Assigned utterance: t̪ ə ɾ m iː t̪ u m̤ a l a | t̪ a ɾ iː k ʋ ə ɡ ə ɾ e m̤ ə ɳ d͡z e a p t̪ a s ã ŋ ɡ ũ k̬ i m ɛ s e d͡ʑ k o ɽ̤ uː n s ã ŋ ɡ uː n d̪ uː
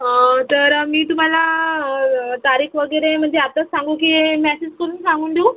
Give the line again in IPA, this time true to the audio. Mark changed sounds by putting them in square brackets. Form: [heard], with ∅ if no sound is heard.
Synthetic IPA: t̪ ə ɾ m iː t̪ u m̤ a l a | t̪ a ɾ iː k ʋ ə ɡ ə ɾ e m̤ ə ɳ d͡z e a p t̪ a s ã ŋ ɡ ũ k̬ i m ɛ s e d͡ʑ k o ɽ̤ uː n s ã ŋ ɡ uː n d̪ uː